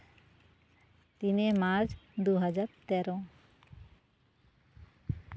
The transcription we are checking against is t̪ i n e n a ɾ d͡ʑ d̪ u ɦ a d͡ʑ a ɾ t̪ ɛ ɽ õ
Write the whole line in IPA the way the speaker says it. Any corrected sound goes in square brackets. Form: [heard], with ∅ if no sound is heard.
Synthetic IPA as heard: t̪ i n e [m] a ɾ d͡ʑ d̪ u ɦ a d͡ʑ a ɾ t̪ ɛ [ɾ] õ